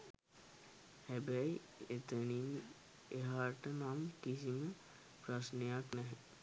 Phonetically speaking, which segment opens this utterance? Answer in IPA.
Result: h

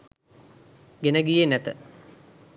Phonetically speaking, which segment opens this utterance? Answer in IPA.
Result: ɡ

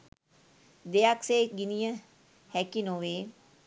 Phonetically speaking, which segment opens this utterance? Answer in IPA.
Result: d̪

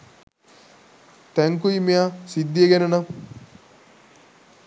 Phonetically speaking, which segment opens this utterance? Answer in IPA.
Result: t̪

